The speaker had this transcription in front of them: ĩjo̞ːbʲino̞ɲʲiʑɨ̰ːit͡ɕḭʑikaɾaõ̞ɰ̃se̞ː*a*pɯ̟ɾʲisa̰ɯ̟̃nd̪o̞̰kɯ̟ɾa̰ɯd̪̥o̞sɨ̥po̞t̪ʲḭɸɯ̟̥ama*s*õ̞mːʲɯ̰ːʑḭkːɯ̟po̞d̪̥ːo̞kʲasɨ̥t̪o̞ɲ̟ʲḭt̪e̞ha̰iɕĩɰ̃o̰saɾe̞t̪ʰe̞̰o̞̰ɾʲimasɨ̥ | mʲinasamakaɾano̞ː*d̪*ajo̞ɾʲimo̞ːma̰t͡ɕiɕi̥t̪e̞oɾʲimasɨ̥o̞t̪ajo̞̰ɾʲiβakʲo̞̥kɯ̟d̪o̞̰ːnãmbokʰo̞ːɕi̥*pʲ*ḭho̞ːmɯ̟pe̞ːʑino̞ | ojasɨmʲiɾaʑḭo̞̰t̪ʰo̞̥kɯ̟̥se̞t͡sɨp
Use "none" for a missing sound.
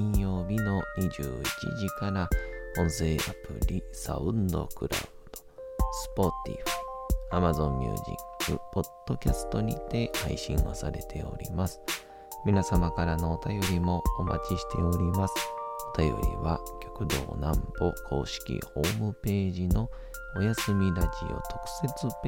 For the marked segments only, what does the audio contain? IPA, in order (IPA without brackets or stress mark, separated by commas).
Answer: a, z, t̪, kʲ